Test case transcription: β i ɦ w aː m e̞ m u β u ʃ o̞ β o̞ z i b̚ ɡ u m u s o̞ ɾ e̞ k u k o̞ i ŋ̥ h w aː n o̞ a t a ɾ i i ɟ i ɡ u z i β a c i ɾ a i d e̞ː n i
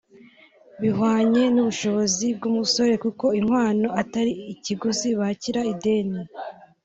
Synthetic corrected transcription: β i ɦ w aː ɲ e̞ n u β u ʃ o̞ β o̞ z i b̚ ɡ u m u s o̞ ɾ e̞ k u k o̞ i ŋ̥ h w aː n o̞ a t a ɾ i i c i ɡ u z i β a c i ɾ a i d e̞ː n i

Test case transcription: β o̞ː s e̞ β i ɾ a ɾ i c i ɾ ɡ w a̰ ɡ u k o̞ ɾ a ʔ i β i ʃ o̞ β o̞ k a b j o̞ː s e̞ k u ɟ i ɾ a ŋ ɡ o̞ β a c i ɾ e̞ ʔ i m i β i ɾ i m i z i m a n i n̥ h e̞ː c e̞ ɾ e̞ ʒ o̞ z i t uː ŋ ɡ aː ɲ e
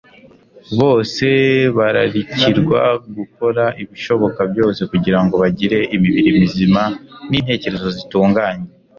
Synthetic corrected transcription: β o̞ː s e̞ β a ɾ a ɾ i c i ɾ ɡ w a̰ ɡ u k o̞ ɾ a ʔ i β i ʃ o̞ β o̞ k a b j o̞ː s e̞ k u ɟ i ɾ a ŋ ɡ o̞ β a ɟ i ɾ e̞ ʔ i m i β i ɾ i m i z i m a n i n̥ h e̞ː c e̞ ɾ e̞ z o̞ z i t uː ŋ ɡ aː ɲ e

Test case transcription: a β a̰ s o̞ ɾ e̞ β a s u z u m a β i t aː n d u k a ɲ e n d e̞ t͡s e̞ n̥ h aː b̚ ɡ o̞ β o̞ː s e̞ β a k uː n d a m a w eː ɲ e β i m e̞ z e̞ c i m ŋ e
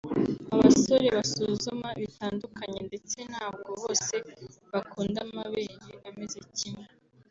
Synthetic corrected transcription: a β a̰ s o̞ ɾ e̞ β a s u z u m a β i t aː n d u k a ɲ e n d e̞ t͡s e̞ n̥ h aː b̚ ɡ o̞ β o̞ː s e̞ β a k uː n d a m a β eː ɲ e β a m e̞ z e̞ c i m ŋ e

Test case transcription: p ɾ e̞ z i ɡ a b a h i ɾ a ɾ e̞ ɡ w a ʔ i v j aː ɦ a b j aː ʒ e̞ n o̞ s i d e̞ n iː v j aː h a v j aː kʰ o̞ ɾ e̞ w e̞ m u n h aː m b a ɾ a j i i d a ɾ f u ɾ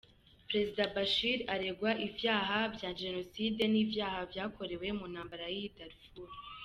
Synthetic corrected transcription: p ɾ e̞ z i d a b a ʃ i ɾ a ɾ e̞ ɡ w a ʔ i v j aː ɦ a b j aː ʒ e̞ n o̞ s i d e̞ n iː v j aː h a v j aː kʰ o̞ ɾ e̞ w e̞ m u n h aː m b a ɾ a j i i d a ɾ f u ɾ

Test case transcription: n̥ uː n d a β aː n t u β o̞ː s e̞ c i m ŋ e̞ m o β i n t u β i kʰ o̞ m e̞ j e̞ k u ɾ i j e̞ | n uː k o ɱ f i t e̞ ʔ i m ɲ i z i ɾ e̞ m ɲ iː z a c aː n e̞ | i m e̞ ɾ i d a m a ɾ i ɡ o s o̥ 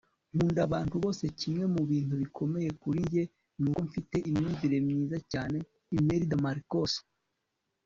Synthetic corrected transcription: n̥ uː n d a β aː n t u β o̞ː s e̞ c i m ŋ e̞ m u β iː n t u β i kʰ o̞ m e̞ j e̞ k u ɾ i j e̞ | n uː k o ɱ f i t e̞ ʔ i m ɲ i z i ɾ e̞ m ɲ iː z a c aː n e̞ | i m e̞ ɾ i d a m a ɾ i k o s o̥

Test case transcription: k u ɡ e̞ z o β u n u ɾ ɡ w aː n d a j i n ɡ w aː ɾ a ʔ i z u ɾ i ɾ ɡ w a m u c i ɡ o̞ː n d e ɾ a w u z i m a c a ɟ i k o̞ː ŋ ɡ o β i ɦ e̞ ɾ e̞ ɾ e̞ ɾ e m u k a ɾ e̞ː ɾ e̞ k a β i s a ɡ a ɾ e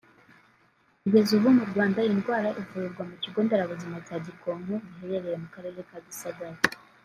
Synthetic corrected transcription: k u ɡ e̞ z u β u m u ɾ ɡ w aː n d a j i n ɡ w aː ɾ a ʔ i v u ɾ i ɾ ɡ w a m u c i ɡ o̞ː n d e ɾ a β u z i m a c a ɟ i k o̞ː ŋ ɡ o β i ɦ e̞ ɾ e̞ ɾ e̞ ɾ e m u k a ɾ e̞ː ɾ e̞ k a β i s a ɡ a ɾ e

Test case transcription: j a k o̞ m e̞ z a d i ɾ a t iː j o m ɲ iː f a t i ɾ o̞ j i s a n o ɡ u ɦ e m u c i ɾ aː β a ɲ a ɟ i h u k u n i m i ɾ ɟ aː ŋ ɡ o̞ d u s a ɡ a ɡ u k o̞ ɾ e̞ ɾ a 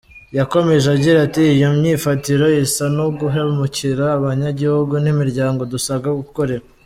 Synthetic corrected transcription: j a k o̞ m e̞ ʒ a ɟ i ɾ a t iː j o m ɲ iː f a t i ɾ o̞ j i s a n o ɡ u ɦ e m u c i ɾ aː β a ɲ a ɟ i h u ɡ u n i m i ɾ ɟ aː ŋ ɡ o̞ d u s a ɡ a ɡ u k o̞ ɾ e̞ ɾ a

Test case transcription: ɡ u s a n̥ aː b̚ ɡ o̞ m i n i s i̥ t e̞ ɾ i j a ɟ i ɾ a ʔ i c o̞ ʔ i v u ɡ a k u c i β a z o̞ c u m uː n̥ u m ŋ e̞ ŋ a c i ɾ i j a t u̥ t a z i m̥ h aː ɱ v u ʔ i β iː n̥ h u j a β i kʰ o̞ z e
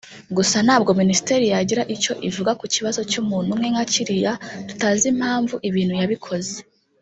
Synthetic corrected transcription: ɡ u s a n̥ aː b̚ ɡ o̞ m i n i s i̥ t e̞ ɾ i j a ɟ i ɾ a ʔ i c o̞ ʔ i v u ɡ a k u c i β a z o̞ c u m uː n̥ u m ŋ e̞ ŋ a c i ɾ i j a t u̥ t a z i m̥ h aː ɱ v u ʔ i β iː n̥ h u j a β i kʰ o̞ z e

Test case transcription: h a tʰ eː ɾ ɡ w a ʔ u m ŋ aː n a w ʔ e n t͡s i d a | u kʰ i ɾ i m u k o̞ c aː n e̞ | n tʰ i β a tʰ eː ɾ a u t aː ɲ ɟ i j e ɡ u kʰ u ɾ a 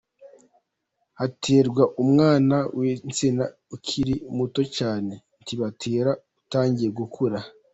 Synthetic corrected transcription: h a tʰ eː ɾ ɡ w a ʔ u m ŋ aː n a w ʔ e n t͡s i n a | u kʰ i ɾ i m u t o̞ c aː n e̞ | n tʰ i β a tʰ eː ɾ a u t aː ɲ ɟ i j e ɡ u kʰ u ɾ a

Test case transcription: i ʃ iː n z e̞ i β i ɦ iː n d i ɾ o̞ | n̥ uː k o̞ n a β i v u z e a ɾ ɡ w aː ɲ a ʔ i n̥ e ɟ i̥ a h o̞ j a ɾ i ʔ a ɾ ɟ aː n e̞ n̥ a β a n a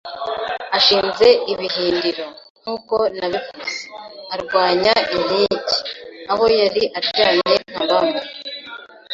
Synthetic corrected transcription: a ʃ iː n z e̞ i β i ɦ iː n d i ɾ o̞ | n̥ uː k o̞ n a β i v u z e a ɾ ɡ w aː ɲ a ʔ i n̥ i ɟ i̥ a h o̞ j a ɾ i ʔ a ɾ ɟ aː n e̞ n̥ a β a m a

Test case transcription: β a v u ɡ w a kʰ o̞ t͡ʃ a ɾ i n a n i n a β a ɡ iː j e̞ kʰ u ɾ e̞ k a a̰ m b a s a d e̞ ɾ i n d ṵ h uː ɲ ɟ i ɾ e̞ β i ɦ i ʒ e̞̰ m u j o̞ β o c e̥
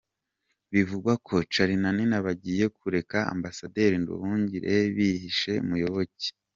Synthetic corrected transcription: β i v u ɡ w a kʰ o̞ t͡ʃ a ɾ i n a n i n a β a ɟ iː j e̞ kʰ u ɾ e̞ k a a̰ m b a s a d e̞ ɾ i n d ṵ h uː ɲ ɟ i ɾ e̞ β i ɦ i ʃ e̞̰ m u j o̞ β o c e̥

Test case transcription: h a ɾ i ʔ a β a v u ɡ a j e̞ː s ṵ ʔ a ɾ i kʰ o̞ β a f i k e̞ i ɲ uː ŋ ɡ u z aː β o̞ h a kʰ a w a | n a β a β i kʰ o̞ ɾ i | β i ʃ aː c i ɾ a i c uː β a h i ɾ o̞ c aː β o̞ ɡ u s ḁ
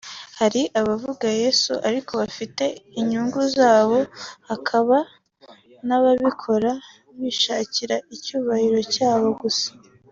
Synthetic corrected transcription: h a ɾ i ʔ a β a v u ɡ a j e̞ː s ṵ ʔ a ɾ i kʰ o̞ β a f i t e̞ i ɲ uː ŋ ɡ u z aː β o̞ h a kʰ a β a | n a β a β i kʰ o̞ ɾ a | β i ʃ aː c i ɾ a i c uː β a h i ɾ o̞ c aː β o̞ ɡ u s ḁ

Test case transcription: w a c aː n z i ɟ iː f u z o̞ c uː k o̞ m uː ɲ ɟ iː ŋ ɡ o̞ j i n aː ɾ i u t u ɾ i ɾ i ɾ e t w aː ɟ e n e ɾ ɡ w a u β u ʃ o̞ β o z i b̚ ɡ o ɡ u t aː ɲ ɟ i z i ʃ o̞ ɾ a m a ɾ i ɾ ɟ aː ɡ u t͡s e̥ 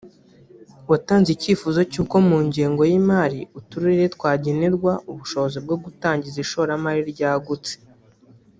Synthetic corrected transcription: w a t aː n z i c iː f u z o̞ c uː k o̞ m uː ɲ ɟ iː ŋ ɡ o̞ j i m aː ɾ i u t u ɾ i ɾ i ɾ e t w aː ɟ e n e ɾ ɡ w a u β u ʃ o̞ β o z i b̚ ɡ o ɡ u t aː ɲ ɟ i z i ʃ o̞ ɾ a m a ɾ i ɾ ɟ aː ɡ u t͡s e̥

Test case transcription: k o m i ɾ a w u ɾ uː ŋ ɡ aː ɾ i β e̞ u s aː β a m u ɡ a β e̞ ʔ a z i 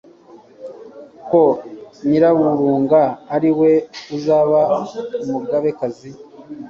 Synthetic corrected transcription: k o ɲ i ɾ a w u ɾ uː ŋ ɡ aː ɾ i w e̞ u z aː β a m u ɡ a β e̞ k a z i

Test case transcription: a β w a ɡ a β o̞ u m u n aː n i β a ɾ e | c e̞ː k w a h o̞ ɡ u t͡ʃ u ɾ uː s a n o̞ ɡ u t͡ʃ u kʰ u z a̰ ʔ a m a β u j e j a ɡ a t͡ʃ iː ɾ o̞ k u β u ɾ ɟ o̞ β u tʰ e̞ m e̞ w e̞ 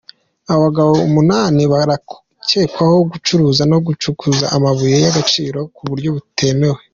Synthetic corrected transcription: a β β a ɡ a β o̞ u m u n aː n i β a ɾ a | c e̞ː k w a h o̞ ɡ u t͡ʃ u ɾ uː z a n o̞ ɡ u t͡ʃ u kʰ u z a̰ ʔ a m a β u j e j a ɡ a t͡ʃ iː ɾ o̞ k u β u ɾ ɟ o̞ β u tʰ e̞ m e̞ w e̞

